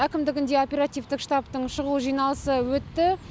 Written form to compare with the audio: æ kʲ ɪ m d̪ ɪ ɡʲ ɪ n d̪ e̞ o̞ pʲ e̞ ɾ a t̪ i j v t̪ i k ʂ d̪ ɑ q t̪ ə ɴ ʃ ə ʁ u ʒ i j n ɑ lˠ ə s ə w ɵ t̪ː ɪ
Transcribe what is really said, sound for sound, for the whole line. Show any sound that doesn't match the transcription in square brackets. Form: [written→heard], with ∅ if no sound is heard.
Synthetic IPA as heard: æ kʲ ɪ m d̪ ɪ ɡʲ ɪ n d̪ e̞ o̞ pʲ e̞ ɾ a t̪ i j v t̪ [i→ɪ] k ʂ [d̪→t̪] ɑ [q→p] t̪ ə ɴ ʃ ə ʁ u ʒ i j n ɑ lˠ ə s ə w ɵ t̪ː ɪ